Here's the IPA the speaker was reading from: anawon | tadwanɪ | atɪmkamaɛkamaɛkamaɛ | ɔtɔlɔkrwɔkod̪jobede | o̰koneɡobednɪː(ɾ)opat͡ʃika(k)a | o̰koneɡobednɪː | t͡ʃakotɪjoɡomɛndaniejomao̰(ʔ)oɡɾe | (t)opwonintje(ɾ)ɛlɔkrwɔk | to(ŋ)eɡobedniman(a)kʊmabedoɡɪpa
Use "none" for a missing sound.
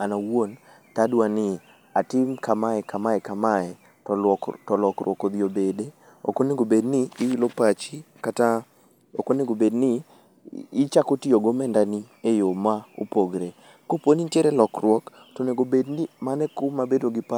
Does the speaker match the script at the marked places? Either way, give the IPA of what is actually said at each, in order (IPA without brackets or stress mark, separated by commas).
l, t, p, k, ɾ, n, ɛ